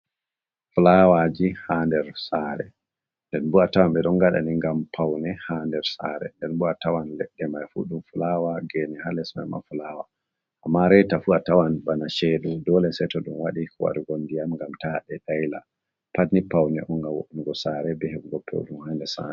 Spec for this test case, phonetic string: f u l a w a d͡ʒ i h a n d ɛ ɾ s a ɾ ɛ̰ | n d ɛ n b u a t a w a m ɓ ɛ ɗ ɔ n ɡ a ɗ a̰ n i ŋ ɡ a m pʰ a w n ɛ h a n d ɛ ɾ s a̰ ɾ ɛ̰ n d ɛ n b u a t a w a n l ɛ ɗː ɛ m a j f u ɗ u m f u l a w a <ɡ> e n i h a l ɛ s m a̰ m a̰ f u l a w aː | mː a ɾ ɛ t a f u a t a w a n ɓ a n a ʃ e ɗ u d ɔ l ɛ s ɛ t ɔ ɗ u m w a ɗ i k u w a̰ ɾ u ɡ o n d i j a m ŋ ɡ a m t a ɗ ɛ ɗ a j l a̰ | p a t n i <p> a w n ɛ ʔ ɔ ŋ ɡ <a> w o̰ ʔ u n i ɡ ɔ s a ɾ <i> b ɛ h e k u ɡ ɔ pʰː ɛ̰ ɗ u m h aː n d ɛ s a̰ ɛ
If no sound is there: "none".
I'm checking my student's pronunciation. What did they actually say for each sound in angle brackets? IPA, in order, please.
ɡ, p, a, ɛ

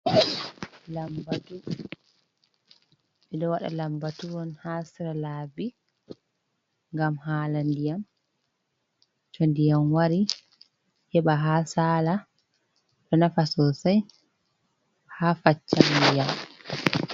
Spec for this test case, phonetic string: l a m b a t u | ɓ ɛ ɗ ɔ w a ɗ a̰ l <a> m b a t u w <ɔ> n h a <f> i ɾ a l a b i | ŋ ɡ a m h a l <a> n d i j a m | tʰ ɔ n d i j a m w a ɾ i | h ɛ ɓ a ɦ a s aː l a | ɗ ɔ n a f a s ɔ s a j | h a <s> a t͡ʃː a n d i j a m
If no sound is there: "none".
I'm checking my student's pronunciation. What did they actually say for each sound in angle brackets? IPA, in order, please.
a, ɔ, s, a, f

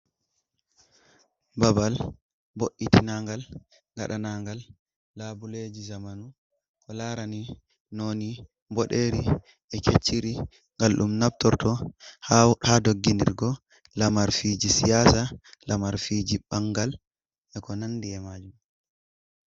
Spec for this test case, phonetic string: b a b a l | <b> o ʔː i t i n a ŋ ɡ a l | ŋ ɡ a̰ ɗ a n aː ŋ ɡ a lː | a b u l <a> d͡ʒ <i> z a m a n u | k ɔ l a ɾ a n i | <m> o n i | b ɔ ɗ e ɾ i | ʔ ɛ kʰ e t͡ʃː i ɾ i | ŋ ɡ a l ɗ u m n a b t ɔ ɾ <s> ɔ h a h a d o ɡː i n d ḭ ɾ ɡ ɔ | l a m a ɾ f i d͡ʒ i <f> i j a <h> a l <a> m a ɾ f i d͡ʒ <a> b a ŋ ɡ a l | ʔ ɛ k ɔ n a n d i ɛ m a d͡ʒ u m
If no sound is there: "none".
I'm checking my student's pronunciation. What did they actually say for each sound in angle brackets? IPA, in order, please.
b, e, i, n, t, s, s, a, i

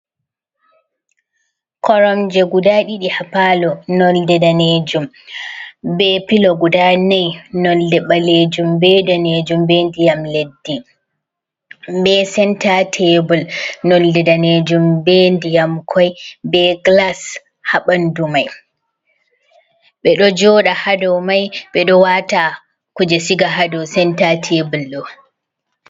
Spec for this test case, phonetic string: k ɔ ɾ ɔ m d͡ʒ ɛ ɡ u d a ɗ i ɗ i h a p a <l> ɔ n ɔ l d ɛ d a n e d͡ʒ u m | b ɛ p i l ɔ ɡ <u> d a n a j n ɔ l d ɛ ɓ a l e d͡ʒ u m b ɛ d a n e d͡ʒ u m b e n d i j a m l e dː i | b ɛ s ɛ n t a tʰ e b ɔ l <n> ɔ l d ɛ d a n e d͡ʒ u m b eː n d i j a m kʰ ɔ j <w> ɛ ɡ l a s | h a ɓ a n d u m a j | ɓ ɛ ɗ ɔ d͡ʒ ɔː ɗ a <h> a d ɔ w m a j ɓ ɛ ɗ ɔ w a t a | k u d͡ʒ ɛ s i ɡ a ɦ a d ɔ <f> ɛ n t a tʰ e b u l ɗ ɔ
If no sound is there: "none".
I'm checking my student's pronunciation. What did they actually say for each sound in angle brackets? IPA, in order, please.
l, u, n, b, h, s

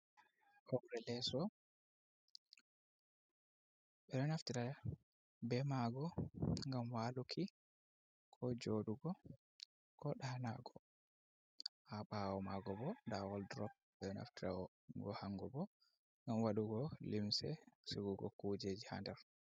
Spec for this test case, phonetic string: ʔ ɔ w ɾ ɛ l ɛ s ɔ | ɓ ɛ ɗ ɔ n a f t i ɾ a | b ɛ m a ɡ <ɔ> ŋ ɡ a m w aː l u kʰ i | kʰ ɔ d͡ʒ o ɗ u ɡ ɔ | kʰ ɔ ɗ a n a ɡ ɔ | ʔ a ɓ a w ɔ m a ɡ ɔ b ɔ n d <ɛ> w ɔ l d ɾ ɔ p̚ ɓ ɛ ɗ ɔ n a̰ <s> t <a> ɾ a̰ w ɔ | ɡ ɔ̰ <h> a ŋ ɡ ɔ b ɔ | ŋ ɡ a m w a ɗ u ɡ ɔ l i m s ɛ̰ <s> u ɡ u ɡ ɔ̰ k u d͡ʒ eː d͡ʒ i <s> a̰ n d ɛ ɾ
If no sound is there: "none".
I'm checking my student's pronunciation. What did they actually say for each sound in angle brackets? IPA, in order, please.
ɔ, a, f, i, h, s, h

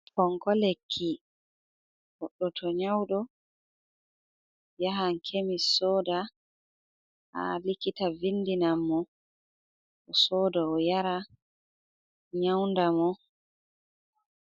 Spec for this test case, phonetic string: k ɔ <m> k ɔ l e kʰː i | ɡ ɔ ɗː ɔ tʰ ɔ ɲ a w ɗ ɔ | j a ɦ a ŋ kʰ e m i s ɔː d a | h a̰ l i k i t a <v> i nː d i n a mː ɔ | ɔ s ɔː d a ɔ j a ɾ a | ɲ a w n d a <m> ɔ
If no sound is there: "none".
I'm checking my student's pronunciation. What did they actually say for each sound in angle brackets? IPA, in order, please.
ŋ, v, m

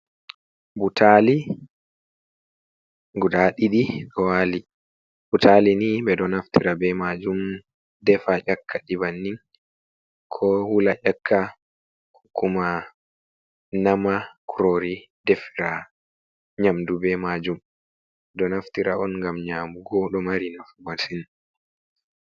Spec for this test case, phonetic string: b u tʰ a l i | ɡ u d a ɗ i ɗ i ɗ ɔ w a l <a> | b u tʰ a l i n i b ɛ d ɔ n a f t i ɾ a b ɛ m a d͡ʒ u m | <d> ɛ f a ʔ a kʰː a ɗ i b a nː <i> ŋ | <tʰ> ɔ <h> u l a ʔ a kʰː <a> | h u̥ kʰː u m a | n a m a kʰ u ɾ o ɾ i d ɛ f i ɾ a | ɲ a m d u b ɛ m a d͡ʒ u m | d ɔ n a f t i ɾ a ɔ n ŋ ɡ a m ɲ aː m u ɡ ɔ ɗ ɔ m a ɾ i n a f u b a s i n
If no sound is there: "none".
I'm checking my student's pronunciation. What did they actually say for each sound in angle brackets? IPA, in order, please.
i, d, i, kʰ, h, a

